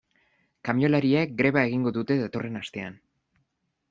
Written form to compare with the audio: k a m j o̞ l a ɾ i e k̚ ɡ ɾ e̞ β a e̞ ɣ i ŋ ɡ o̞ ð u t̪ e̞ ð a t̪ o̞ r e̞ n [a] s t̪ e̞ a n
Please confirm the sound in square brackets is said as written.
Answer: yes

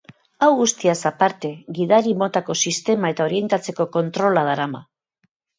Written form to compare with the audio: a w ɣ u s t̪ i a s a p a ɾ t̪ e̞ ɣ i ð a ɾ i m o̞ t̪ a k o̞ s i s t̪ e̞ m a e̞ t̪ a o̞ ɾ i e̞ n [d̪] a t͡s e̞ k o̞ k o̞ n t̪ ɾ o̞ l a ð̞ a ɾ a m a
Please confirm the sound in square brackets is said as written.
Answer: no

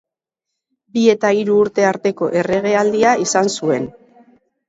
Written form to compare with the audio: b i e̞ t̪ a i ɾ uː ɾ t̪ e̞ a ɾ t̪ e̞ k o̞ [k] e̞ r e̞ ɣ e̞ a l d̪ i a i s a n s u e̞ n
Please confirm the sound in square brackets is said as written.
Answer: no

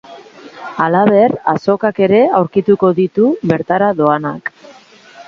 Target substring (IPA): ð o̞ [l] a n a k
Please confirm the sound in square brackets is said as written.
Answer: no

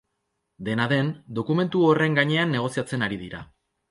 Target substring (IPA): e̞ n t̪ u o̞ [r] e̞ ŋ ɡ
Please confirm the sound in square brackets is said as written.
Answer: yes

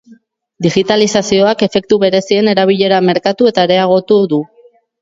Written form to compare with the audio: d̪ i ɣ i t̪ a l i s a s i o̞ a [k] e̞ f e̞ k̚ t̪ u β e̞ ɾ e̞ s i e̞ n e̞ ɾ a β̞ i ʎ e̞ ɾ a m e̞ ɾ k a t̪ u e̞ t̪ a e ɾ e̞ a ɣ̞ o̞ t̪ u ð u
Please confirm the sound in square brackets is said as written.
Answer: yes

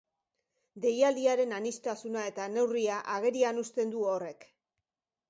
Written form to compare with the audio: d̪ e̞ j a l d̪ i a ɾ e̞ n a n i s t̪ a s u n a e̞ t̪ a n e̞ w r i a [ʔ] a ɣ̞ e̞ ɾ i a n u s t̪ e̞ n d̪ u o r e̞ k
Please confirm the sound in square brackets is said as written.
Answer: yes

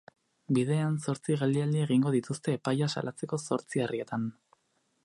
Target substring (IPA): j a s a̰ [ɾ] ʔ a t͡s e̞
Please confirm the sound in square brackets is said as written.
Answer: no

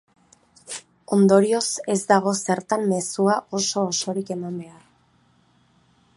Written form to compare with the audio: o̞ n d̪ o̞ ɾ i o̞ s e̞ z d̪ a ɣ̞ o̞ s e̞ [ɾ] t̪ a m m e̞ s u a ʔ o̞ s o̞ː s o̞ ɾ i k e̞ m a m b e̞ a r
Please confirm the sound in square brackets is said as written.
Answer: yes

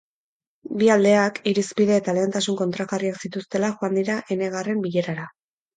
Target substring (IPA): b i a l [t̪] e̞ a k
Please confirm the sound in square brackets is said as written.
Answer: no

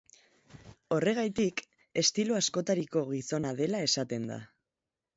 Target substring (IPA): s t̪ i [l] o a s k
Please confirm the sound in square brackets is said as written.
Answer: yes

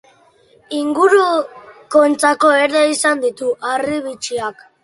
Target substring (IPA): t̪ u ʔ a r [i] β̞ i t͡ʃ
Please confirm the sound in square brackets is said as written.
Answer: yes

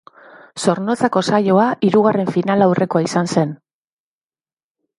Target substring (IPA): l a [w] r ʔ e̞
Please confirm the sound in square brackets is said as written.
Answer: yes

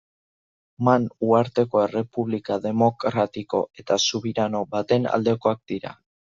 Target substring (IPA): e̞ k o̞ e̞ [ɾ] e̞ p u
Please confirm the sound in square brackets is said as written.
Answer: no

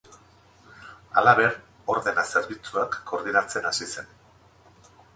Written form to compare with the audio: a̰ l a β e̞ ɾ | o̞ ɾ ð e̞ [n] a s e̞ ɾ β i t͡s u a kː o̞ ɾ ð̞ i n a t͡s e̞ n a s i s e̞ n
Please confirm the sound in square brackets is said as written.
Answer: yes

